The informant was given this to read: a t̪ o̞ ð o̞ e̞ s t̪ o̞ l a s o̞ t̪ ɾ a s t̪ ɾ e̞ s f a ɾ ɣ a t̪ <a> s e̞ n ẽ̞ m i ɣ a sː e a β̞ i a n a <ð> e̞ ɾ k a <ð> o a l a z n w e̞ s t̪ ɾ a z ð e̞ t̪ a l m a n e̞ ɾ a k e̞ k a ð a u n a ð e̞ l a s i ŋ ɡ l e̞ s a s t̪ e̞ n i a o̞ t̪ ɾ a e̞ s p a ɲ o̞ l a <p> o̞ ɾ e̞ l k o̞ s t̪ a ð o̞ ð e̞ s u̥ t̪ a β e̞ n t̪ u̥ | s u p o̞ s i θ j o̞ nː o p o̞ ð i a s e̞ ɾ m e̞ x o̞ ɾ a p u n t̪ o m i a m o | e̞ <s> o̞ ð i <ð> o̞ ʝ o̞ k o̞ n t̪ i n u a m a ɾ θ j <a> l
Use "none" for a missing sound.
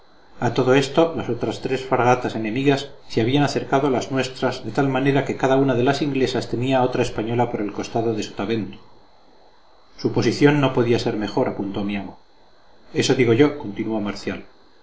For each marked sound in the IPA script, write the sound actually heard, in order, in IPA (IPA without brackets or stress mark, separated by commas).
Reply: a, θ, ð, p, s, ɣ, a